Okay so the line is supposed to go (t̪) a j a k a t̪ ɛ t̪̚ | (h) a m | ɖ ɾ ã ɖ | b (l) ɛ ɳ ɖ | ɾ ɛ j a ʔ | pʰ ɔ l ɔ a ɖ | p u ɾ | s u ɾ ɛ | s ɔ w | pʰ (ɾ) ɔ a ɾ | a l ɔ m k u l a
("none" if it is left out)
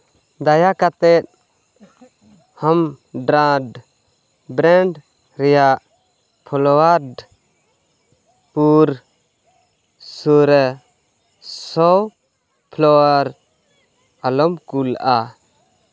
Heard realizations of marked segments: d̪, h, ɾ, l

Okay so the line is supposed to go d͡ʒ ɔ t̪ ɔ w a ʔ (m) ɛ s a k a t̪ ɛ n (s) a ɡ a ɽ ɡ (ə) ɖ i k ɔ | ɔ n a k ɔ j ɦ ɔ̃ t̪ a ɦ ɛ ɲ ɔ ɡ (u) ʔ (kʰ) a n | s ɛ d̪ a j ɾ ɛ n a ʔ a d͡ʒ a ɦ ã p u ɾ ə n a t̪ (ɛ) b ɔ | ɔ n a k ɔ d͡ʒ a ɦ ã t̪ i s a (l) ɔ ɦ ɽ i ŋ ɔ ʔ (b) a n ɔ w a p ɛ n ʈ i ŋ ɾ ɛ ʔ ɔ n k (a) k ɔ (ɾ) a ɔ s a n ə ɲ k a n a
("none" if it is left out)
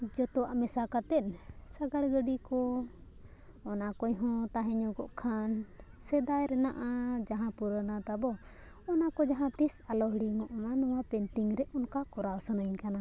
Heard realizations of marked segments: m, s, ə, ɔ, kʰ, a, l, m, a, ɾ

